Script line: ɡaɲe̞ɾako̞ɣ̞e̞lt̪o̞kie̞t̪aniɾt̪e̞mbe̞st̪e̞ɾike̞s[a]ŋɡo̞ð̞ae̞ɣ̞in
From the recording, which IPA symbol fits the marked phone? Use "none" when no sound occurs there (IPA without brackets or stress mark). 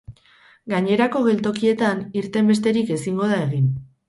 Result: i